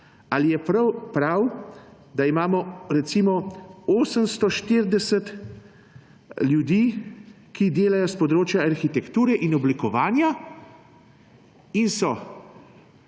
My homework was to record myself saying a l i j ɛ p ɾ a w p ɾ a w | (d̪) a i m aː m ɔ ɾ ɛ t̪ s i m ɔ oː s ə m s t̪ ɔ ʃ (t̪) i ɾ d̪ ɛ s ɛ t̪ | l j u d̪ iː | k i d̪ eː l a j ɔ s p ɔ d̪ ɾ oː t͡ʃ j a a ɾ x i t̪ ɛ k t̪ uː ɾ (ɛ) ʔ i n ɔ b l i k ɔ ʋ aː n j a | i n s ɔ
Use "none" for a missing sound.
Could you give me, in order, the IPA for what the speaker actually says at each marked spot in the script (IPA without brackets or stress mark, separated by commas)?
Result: d̪, t̪, ɛ